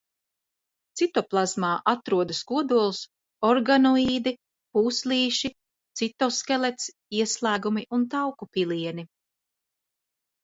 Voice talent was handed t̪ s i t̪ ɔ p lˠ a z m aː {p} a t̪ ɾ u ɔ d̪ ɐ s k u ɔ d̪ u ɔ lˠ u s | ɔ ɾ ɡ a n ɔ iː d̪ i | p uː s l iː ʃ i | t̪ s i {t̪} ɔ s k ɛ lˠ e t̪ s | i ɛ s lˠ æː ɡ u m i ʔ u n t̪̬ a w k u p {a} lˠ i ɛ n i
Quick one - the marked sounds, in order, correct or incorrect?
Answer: incorrect: ʔ, correct, incorrect: i

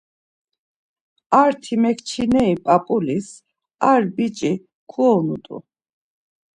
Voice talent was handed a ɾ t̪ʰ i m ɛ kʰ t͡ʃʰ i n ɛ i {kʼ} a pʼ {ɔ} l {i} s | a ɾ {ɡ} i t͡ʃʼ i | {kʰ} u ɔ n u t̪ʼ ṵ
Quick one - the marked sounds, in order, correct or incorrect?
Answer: incorrect: pʼ, incorrect: u, correct, incorrect: b, correct

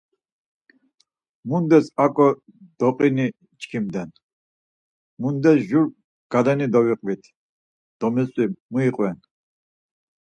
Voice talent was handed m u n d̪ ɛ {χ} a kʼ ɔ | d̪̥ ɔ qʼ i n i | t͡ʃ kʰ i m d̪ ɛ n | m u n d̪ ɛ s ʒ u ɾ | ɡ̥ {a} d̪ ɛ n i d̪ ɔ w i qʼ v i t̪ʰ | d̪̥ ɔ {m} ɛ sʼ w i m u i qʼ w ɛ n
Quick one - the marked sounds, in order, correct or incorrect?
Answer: incorrect: s, correct, correct

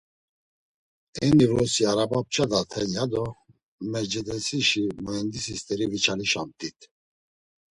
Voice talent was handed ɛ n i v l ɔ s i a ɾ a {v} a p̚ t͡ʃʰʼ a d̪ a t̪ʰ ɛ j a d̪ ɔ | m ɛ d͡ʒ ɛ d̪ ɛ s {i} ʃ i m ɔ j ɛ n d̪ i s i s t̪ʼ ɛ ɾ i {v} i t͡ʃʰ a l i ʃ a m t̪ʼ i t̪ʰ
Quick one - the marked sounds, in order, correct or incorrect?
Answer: incorrect: b, correct, correct

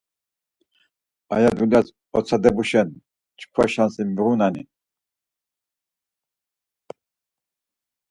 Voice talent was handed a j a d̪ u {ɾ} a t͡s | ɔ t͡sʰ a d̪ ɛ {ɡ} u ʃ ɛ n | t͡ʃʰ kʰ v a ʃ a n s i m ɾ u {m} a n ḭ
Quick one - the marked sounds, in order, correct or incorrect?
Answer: incorrect: l, incorrect: b, incorrect: n

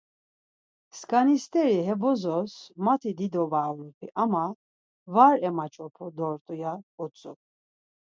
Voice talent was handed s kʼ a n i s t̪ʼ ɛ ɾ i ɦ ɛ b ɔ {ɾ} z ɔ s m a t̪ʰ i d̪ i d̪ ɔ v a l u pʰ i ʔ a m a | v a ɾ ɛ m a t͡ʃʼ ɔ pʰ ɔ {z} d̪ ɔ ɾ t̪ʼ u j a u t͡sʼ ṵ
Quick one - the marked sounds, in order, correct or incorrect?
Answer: incorrect: none, incorrect: none

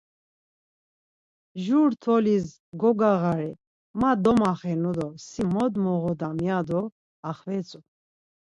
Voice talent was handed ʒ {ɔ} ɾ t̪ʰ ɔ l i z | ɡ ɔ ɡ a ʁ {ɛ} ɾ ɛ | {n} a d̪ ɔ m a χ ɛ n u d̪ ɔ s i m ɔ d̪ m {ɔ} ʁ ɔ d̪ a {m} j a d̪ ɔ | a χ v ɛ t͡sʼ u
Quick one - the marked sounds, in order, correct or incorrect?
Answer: incorrect: u, incorrect: a, incorrect: m, correct, correct

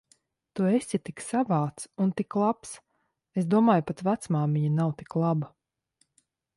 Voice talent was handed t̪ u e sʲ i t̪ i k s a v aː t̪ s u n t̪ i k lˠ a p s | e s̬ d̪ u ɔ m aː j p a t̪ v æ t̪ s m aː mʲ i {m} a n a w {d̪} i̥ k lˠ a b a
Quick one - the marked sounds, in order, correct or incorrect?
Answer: incorrect: ɲ, incorrect: t̪

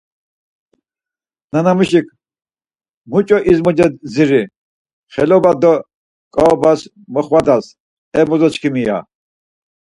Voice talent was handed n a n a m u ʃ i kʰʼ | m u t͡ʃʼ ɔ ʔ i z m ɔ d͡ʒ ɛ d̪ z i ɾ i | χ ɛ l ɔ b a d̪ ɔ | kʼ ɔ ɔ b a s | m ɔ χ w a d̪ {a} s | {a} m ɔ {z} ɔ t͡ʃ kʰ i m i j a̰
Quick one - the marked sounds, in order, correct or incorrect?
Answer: correct, incorrect: ɛ, correct

